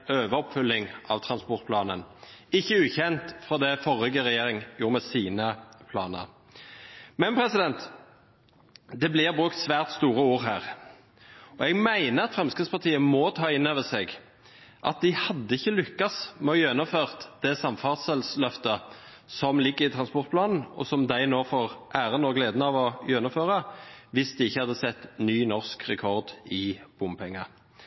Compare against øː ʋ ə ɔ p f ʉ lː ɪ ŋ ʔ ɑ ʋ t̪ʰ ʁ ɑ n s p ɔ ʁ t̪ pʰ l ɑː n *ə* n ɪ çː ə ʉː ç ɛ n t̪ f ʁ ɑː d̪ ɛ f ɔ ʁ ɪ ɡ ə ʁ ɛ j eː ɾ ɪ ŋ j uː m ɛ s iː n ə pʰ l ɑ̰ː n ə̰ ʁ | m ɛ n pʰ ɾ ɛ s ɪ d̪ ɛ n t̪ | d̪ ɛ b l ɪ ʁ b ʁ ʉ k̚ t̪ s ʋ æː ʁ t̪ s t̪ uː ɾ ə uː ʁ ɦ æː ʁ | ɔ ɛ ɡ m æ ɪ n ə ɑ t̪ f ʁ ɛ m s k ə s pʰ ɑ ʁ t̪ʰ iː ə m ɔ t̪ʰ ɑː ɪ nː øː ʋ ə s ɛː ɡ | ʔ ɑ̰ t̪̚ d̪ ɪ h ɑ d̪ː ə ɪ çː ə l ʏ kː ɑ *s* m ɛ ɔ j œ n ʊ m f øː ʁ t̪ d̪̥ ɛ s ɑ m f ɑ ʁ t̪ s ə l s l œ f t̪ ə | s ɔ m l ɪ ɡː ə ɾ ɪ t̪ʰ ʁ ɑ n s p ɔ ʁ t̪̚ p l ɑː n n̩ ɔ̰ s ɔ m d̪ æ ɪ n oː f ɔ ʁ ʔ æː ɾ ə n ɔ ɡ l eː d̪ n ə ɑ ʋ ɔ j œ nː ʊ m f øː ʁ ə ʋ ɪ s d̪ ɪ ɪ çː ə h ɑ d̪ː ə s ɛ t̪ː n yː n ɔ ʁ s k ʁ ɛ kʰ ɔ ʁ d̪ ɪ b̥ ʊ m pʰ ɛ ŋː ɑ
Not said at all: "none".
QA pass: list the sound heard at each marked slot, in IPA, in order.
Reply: ə, s

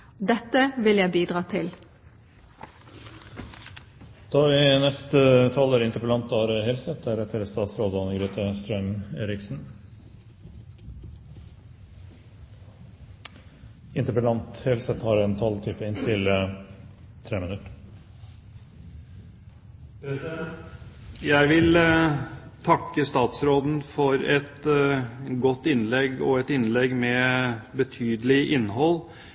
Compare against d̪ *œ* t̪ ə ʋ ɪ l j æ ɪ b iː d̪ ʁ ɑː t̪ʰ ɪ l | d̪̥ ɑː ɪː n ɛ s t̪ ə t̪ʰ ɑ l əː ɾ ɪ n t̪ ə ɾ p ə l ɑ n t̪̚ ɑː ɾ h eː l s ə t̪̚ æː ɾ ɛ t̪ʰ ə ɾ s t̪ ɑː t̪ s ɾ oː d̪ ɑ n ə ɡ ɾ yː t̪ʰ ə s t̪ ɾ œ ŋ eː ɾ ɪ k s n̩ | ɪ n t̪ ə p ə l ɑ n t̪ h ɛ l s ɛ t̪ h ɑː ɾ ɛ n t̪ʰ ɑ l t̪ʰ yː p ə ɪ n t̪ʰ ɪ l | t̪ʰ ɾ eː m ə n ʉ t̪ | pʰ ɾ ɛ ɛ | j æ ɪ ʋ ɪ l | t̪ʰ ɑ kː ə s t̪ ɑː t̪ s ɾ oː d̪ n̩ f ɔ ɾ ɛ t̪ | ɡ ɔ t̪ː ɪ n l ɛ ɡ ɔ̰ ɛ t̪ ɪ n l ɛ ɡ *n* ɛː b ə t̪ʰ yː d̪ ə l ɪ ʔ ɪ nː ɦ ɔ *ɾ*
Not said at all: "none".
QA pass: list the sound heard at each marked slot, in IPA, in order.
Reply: ɛ, m, l

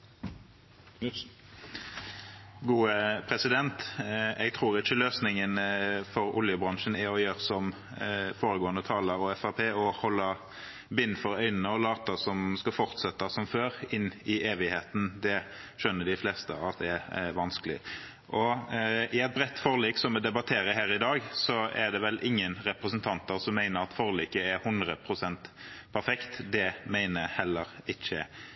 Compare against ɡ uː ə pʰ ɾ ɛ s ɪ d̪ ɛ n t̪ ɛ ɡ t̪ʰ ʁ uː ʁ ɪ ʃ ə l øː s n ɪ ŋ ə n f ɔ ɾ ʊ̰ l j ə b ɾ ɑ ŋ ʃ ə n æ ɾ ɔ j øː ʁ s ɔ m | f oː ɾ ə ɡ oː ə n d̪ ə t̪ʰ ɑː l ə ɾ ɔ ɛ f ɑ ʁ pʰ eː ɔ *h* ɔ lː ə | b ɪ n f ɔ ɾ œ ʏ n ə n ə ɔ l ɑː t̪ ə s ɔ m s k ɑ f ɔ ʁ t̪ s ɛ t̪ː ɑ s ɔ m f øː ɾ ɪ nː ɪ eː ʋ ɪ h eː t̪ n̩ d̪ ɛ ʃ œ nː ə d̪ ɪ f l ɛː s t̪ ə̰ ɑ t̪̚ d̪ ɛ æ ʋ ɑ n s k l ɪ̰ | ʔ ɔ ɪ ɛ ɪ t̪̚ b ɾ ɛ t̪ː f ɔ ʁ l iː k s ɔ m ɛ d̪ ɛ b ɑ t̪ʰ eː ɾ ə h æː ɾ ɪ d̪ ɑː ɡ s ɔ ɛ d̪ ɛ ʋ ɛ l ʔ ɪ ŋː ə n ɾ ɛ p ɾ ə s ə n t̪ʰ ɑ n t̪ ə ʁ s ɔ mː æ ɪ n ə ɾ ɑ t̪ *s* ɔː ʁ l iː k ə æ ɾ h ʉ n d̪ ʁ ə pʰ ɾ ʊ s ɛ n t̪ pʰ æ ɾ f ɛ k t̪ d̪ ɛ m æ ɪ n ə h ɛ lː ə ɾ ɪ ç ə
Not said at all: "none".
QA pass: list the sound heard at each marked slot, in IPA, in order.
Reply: h, f

